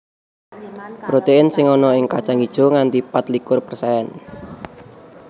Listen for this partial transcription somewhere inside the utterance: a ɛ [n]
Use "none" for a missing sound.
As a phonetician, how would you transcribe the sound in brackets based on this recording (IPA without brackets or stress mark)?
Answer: n